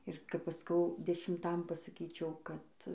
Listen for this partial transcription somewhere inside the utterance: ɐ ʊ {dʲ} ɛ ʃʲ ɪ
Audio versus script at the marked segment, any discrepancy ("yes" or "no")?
no